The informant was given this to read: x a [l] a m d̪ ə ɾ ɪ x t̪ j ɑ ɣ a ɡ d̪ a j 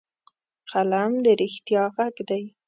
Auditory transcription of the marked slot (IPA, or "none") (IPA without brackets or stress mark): l